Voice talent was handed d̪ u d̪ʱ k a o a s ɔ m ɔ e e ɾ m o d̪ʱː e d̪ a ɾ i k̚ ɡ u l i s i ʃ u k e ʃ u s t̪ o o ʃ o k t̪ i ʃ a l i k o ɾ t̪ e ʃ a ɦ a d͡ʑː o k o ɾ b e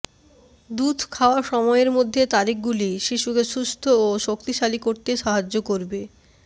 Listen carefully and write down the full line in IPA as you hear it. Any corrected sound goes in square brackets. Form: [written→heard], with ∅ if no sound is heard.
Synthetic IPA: d̪ u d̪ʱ [k→kʰ] a o a [s→ʃ] ɔ m ɔ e e ɾ m o d̪ʱː e [d̪→t̪] a ɾ i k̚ ɡ u l i [s→ʃ] i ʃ u k e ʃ u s [t̪→t̪ʰ] o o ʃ o k t̪ i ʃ a l i k o ɾ t̪ e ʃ a ɦ a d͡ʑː o k o ɾ b e